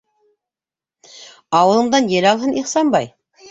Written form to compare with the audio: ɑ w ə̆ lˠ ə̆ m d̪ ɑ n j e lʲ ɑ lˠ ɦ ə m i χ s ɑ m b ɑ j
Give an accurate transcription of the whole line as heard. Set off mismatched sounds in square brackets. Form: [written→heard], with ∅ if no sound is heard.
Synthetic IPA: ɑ w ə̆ lˠ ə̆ [m→ɴ] d̪ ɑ n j e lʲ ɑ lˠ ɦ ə [m→n] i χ s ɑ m b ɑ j